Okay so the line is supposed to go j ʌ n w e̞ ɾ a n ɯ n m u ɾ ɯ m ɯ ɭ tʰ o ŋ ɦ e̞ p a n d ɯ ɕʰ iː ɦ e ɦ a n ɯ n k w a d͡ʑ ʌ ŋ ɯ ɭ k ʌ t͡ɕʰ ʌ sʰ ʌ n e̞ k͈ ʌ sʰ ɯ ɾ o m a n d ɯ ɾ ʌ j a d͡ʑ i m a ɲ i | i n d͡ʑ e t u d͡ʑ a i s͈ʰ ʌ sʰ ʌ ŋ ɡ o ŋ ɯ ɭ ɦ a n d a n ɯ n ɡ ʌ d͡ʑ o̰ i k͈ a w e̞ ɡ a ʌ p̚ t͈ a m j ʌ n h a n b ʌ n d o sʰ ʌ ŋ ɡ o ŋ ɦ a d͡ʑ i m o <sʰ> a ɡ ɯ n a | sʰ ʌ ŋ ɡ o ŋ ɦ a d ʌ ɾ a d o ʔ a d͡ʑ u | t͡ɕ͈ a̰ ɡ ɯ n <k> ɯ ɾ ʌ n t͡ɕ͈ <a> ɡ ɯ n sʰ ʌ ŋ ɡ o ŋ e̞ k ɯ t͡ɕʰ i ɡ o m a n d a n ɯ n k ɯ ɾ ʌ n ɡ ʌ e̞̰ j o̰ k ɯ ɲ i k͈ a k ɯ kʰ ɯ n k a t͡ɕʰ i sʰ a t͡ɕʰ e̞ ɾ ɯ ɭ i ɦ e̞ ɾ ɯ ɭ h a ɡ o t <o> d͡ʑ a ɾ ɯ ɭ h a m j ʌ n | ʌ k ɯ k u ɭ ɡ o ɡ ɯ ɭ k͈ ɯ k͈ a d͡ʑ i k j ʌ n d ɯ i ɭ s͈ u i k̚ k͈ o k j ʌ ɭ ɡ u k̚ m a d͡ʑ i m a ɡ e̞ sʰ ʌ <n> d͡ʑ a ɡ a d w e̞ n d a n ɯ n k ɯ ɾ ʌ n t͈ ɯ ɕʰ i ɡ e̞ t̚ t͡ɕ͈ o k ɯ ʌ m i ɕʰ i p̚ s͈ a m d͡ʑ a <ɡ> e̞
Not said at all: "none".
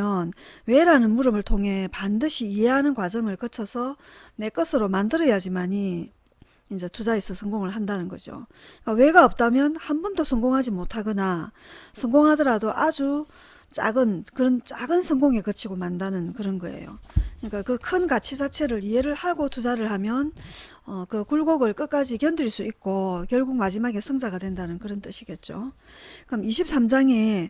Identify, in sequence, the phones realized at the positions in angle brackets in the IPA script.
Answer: tʰ, k, a, u, ŋ, ŋ

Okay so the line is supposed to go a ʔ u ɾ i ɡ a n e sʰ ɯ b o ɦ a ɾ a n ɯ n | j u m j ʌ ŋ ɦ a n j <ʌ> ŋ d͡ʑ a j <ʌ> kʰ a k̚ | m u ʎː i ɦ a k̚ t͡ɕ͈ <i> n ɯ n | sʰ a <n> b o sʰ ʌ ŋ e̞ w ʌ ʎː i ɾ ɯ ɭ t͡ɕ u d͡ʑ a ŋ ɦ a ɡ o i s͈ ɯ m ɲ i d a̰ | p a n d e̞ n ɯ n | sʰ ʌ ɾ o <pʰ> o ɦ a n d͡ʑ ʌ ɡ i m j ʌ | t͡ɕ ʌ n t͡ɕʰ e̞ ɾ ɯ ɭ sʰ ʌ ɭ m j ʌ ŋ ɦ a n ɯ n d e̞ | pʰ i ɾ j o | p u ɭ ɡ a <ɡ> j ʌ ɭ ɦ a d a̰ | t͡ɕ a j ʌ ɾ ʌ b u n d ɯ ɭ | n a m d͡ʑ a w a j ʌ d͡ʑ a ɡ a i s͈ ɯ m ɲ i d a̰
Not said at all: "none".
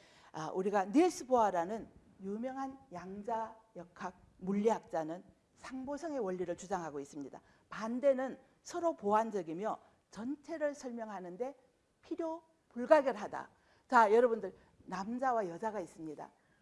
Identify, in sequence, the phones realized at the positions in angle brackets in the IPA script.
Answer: a, ʌ, a, ŋ, p, ɡ

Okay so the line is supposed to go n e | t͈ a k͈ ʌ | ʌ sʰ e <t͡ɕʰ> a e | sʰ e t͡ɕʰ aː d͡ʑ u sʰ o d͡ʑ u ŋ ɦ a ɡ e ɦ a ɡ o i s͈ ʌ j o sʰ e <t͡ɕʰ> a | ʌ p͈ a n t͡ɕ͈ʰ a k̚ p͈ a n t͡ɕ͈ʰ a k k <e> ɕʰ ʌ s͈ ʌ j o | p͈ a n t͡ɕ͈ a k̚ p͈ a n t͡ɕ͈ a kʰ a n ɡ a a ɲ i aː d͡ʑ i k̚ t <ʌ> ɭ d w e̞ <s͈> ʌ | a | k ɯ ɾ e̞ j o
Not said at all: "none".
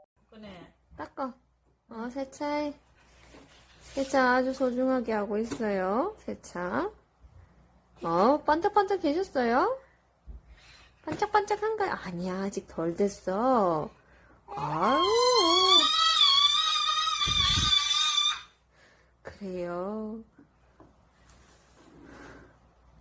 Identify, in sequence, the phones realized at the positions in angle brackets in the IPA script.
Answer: t͡ɕʰ, t͡ɕʰ, e, ʌ, s͈

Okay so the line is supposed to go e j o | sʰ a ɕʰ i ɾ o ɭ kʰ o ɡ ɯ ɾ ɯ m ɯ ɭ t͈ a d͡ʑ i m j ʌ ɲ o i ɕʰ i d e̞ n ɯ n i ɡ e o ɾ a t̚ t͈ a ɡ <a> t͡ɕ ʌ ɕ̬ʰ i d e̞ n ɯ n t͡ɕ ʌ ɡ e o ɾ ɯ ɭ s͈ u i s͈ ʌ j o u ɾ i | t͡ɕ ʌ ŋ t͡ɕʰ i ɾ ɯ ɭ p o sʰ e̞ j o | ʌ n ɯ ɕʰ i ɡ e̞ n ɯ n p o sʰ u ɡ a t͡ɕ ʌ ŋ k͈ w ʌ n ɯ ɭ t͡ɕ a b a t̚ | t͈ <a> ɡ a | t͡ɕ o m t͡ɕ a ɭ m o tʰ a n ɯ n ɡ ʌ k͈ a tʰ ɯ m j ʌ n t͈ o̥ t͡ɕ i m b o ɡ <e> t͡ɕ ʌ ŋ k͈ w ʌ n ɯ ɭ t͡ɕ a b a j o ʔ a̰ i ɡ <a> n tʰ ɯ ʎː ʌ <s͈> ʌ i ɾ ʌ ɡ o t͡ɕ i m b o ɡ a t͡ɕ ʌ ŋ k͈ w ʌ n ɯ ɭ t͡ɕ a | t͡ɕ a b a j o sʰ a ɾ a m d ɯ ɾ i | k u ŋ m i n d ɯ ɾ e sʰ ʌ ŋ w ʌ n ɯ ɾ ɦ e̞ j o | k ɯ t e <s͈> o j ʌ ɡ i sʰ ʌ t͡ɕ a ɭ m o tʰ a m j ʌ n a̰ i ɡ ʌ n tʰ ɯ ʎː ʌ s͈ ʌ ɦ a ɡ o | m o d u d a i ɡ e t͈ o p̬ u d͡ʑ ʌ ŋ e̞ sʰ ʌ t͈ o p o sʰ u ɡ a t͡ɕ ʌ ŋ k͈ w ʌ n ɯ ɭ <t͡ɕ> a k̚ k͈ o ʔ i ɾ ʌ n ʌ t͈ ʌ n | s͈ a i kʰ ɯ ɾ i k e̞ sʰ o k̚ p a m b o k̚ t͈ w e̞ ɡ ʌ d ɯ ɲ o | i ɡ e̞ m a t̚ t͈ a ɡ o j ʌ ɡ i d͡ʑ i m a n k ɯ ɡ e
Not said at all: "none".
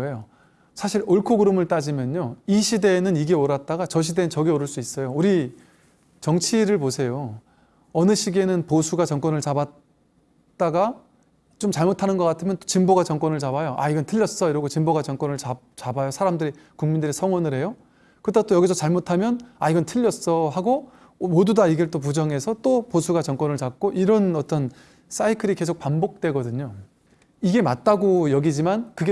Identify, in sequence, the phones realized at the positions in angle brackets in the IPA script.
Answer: a, a, a, ʌ, s͈, t͈, t͡ɕ

